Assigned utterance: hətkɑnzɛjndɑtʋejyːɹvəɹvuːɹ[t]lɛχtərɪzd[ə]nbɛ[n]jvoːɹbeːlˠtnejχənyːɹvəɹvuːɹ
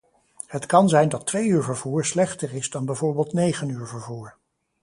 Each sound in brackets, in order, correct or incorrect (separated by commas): incorrect, incorrect, incorrect